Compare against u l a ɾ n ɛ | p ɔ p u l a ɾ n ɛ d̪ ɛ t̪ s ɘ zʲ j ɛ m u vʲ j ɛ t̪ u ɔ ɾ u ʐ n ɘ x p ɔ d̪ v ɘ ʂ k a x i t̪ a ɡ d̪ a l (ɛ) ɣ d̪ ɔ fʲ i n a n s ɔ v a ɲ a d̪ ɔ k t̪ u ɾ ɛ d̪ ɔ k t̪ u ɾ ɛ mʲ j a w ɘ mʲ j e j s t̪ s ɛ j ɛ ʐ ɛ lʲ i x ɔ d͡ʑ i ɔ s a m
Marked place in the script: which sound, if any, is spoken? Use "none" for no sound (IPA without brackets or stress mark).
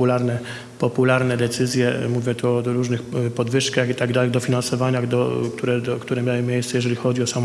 ɛ